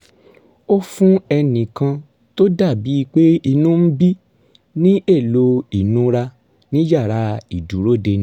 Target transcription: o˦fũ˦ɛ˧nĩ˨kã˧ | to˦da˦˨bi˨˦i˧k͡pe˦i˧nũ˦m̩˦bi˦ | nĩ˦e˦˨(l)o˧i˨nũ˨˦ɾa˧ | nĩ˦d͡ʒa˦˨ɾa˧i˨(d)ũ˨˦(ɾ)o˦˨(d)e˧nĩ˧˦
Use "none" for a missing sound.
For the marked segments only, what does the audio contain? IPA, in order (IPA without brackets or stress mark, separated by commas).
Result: l, d, ɾ, d